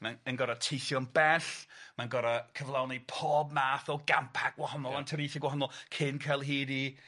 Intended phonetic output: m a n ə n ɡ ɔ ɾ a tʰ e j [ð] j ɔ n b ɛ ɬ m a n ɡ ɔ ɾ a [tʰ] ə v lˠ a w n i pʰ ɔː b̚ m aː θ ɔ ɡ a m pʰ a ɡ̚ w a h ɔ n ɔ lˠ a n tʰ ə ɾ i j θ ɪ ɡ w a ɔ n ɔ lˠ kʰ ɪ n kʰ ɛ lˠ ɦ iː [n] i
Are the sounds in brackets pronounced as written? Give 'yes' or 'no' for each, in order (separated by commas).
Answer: no, no, no